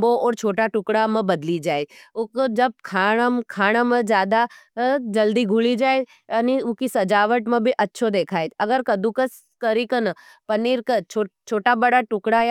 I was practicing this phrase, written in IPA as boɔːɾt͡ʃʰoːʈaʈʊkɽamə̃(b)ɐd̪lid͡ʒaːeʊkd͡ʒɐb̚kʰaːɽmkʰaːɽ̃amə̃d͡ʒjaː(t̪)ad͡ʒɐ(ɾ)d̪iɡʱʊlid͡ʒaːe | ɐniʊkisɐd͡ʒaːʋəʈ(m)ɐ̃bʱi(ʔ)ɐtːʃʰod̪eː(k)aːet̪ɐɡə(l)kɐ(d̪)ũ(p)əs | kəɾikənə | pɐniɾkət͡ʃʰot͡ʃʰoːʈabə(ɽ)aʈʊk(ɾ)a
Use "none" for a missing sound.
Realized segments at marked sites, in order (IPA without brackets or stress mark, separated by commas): b, d̪, l, m, ʔ, kʰ, ɾ, d̪, k, ɽ, ɽ